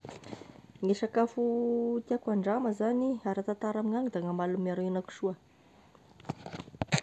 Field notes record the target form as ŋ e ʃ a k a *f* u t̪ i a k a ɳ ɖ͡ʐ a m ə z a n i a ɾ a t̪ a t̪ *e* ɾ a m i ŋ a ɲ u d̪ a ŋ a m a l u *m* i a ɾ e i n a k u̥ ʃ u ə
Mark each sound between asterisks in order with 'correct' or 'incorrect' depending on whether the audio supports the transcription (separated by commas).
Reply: correct, incorrect, correct